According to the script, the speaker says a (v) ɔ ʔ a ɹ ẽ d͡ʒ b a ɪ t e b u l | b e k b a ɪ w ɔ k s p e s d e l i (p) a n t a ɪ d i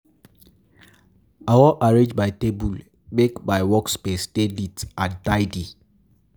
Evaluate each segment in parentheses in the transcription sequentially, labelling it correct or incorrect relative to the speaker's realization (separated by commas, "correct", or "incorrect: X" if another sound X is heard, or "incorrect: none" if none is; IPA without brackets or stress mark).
incorrect: w, incorrect: t